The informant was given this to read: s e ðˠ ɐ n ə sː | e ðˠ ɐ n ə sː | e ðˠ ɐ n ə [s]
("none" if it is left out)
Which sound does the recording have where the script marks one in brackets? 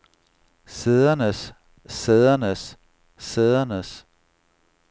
s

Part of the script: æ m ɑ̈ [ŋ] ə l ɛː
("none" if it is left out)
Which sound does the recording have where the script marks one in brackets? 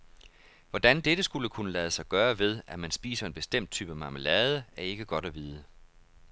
m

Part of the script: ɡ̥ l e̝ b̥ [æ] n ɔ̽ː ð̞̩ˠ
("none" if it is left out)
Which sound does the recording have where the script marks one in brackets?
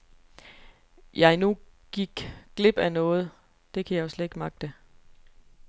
æ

